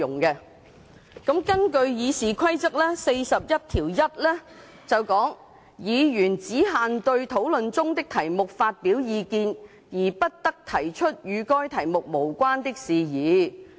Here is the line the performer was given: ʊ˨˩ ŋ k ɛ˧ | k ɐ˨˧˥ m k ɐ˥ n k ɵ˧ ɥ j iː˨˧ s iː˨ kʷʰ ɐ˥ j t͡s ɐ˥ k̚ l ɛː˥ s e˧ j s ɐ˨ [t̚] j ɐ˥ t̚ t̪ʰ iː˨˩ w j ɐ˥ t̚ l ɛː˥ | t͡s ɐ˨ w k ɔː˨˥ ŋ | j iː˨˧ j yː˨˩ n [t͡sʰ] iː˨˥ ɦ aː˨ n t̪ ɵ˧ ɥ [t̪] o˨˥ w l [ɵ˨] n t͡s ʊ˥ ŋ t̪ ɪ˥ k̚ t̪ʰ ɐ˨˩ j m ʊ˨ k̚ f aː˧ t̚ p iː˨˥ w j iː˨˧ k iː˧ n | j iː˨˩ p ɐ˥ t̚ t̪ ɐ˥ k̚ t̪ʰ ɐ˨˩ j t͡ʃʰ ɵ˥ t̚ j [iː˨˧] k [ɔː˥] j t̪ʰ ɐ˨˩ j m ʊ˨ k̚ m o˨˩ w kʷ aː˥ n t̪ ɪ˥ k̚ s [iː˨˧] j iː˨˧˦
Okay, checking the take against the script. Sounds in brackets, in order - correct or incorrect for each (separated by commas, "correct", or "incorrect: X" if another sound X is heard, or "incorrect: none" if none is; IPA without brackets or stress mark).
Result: incorrect: p̚, incorrect: t͡s, incorrect: t̪ʰ, correct, incorrect: yː˨˧, correct, correct